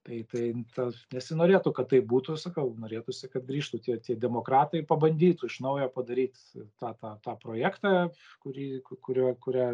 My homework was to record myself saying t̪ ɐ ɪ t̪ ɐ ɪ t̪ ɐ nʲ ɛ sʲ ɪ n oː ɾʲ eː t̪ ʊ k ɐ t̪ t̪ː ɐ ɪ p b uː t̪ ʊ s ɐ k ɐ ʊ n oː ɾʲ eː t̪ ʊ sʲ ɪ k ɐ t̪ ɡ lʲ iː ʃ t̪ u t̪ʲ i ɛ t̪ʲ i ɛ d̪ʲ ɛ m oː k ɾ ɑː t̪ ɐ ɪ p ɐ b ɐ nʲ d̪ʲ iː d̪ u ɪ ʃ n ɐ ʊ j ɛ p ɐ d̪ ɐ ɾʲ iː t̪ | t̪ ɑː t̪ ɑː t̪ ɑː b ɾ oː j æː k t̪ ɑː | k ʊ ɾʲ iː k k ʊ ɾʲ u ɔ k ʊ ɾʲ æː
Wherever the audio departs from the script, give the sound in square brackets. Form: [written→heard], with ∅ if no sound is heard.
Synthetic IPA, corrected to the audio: t̪ ɐ ɪ t̪ ɐ ɪ t̪ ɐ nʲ ɛ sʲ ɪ n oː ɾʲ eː t̪ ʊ k ɐ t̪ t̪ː ɐ ɪ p b uː t̪ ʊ s ɐ k ɐ ʊ n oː ɾʲ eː t̪ ʊ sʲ ɪ k ɐ t̪ ɡ [lʲ→ɾʲ] iː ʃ t̪ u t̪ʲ i ɛ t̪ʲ i ɛ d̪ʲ ɛ m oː k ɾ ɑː t̪ ɐ ɪ p ɐ b ɐ nʲ d̪ʲ iː [d̪→t̪] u ɪ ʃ n ɐ ʊ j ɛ p ɐ d̪ ɐ ɾʲ iː t̪ | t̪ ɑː t̪ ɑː t̪ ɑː [b→p] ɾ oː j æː k t̪ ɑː | k ʊ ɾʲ iː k k ʊ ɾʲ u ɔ k ʊ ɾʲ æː